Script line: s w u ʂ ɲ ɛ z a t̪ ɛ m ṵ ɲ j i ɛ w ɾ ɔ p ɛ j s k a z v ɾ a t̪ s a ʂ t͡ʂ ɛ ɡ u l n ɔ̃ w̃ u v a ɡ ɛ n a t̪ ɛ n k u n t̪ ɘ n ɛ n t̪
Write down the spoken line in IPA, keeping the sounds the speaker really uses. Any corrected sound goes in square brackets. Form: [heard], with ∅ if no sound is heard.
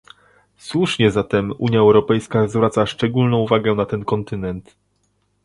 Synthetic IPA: s w u ʂ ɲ ɛ z a t̪ ɛ m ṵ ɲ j [a] ɛ w ɾ ɔ p ɛ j s k a z v ɾ a t̪ s a ʂ t͡ʂ ɛ ɡ u l n ɔ̃ w̃ u v a ɡ ɛ n a t̪ ɛ n k [ɔ] n t̪ ɘ n ɛ n t̪